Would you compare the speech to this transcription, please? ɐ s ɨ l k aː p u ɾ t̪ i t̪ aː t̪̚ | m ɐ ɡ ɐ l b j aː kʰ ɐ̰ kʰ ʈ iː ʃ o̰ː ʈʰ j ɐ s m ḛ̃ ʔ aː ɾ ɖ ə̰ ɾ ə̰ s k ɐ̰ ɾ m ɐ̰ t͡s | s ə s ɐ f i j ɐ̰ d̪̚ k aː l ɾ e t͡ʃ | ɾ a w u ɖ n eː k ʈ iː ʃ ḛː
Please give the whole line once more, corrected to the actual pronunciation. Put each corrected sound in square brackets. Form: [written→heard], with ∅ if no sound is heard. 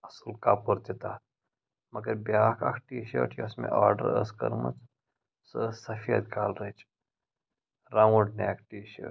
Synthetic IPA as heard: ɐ s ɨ l k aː p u ɾ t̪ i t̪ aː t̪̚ | m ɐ ɡ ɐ [l→ɾ] b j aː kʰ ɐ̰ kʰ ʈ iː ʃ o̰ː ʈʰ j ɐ s m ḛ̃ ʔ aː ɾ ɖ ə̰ ɾ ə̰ s k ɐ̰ ɾ m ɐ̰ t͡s | s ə s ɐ f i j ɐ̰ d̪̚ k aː l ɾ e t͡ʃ | ɾ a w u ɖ n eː k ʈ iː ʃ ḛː